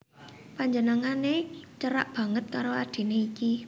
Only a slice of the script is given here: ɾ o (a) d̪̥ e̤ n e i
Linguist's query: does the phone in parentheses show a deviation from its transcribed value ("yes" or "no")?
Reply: no